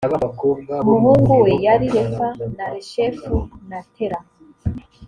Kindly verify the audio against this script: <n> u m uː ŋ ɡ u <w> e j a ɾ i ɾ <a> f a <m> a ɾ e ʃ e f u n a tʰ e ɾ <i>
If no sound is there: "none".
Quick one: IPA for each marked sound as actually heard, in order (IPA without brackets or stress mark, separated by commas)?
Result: m, w, e, n, a